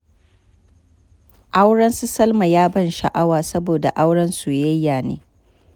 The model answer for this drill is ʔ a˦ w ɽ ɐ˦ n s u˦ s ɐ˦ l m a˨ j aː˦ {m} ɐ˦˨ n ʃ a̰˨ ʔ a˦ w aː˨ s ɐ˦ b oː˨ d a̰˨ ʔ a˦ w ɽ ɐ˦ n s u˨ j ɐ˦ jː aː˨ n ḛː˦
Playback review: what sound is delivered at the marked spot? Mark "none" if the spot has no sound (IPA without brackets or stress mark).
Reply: b